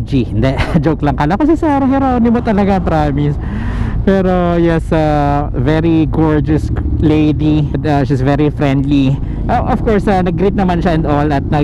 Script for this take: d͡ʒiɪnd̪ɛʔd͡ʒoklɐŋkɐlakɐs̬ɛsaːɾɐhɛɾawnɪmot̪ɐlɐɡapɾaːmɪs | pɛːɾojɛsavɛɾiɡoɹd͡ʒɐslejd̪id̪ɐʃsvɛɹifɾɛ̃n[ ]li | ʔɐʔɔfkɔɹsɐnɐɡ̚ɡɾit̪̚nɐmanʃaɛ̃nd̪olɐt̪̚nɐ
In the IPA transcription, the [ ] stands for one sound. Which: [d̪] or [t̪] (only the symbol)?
d̪